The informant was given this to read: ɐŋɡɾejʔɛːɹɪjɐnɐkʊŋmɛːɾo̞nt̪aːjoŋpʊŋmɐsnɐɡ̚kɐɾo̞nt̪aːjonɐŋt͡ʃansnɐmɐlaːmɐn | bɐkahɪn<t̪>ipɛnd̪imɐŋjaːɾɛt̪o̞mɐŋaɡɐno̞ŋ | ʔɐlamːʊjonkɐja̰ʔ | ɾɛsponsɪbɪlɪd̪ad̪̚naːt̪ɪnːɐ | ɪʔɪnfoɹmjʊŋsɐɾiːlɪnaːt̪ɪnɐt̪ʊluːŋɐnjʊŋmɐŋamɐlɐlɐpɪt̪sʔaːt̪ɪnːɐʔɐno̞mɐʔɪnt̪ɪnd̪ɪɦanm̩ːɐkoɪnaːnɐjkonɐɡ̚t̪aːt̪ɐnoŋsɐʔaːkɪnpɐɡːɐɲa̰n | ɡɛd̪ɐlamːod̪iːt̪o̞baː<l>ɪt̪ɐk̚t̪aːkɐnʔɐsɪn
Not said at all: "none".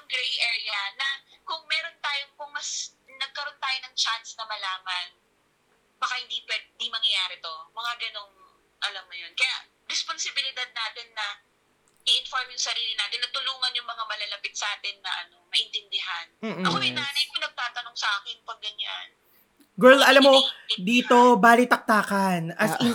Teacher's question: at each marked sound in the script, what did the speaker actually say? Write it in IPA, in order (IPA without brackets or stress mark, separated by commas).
d̪, l